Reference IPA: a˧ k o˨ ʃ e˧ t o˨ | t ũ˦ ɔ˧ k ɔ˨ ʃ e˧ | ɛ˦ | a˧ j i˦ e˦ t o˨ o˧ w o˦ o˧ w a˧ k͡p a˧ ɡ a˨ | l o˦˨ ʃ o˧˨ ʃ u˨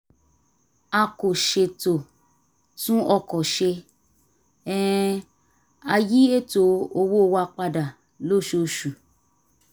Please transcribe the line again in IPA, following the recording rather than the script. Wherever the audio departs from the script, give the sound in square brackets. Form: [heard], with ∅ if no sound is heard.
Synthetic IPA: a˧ k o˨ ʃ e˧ t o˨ | t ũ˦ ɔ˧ k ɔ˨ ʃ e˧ | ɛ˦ | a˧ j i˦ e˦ t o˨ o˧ w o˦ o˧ w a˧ k͡p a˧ [d] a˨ | l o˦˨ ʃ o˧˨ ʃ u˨